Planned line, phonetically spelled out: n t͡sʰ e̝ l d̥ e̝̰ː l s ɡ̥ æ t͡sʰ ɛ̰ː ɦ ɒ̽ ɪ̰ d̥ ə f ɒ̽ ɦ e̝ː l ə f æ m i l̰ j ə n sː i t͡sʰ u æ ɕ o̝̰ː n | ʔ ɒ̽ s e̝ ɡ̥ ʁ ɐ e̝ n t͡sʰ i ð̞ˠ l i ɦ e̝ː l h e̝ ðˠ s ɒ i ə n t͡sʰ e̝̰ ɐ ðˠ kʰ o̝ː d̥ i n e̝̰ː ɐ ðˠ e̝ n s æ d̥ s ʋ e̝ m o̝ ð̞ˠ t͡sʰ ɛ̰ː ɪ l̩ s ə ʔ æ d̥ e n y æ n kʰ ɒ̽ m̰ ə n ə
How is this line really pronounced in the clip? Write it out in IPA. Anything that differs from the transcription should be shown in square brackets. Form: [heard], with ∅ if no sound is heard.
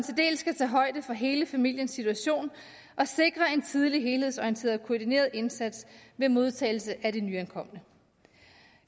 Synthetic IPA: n t͡sʰ e̝ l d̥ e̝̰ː l s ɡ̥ æ t͡sʰ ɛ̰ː ɦ ɒ̽ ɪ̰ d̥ ə f ɒ̽ ɦ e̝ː l ə f æ m i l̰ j ə n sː i t͡sʰ u æ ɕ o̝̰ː n | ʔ ɒ̽ s e̝ ɡ̥ ʁ ɐ e̝ n t͡sʰ i ð̞ˠ l i ɦ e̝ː l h e̝ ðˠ s ɒ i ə n t͡sʰ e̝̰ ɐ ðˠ kʰ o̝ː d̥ i n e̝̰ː ɐ ðˠ e̝ n s æ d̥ s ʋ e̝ m o̝ ð̞ˠ t͡sʰ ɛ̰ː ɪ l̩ s ə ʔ æ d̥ e n y æ n kʰ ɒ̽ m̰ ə n ə

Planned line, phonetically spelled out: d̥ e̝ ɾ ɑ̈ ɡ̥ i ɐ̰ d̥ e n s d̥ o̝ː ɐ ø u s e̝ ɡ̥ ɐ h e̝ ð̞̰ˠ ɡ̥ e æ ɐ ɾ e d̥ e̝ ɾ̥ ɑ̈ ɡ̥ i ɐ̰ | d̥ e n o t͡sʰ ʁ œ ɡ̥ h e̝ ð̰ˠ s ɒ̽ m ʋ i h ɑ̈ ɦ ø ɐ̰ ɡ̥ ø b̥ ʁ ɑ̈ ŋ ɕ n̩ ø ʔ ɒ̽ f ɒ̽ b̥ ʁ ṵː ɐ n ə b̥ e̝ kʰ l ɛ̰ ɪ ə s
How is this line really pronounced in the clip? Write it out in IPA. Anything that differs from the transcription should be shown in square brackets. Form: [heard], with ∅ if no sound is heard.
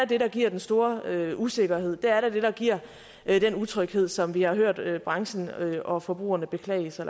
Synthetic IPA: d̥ e̝ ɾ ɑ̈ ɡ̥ i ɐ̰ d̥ e n s d̥ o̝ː ɐ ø u s e̝ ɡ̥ ɐ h e̝ ð̞̰ˠ [d̥] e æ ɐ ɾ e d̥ e̝ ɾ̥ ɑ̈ ɡ̥ i ɐ̰ | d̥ e n [u] t͡sʰ ʁ œ ɡ̥ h e̝ ð̰ˠ s ɒ̽ m ʋ i h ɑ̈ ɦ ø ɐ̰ [d̥] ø b̥ ʁ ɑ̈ ŋ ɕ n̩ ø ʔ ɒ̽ f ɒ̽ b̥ ʁ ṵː ɐ n ə b̥ e̝ kʰ l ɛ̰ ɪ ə s

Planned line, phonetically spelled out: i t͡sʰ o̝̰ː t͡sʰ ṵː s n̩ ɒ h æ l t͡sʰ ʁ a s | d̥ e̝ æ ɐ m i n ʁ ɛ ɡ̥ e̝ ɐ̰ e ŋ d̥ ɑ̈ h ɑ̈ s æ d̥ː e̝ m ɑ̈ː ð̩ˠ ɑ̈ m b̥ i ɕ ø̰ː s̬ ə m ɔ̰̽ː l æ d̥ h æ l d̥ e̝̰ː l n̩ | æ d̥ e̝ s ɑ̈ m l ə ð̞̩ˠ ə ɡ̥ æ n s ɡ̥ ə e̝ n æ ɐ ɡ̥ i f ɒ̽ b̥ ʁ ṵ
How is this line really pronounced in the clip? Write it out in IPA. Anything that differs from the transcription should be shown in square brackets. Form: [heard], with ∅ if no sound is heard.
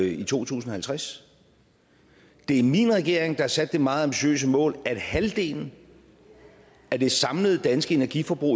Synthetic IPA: i t͡sʰ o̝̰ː t͡sʰ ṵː s n̩ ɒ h æ l t͡sʰ ʁ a s | d̥ e̝ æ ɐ m i n ʁ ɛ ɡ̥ e̝ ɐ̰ e ŋ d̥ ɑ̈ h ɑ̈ s æ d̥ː e̝ m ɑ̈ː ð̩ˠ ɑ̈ m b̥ i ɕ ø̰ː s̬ ə m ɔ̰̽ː l æ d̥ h æ l d̥ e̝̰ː l n̩ | æ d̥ e̝ s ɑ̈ m l ə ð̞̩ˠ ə [d̥] æ n s ɡ̥ ə e̝ n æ ɐ ɡ̥ i f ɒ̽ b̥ ʁ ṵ

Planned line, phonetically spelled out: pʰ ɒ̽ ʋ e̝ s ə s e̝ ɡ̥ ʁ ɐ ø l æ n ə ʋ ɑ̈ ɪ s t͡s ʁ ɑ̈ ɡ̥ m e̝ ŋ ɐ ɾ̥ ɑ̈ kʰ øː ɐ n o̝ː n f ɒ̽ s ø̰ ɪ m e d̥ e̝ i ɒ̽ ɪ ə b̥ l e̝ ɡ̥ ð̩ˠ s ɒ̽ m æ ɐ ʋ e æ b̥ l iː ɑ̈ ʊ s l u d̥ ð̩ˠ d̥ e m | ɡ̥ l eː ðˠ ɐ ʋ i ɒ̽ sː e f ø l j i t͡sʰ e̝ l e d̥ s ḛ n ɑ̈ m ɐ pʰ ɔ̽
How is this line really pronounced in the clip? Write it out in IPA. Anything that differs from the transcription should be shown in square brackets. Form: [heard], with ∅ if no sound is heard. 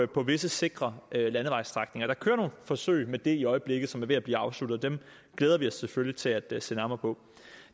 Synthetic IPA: pʰ ɒ̽ ʋ e̝ s ə s e̝ ɡ̥ ʁ ɐ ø l æ n ə ʋ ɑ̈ ɪ s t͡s ʁ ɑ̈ ɡ̥ [n] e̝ ŋ ɐ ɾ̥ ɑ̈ kʰ øː ɐ n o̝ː n f ɒ̽ s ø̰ ɪ m e d̥ e̝ i ɒ̽ ɪ ə b̥ l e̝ ɡ̥ ð̩ˠ s ɒ̽ m æ ɐ ʋ e æ b̥ l iː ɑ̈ ʊ s l u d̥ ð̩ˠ d̥ e m | ɡ̥ l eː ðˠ ɐ ʋ i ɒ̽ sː e f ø l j i t͡sʰ e̝ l [æ] d̥ s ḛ n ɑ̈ m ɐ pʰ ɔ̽

